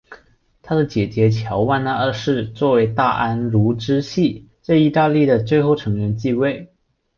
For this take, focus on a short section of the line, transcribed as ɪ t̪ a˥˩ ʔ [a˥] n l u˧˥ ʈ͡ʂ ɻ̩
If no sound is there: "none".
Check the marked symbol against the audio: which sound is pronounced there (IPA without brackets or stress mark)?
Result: a˥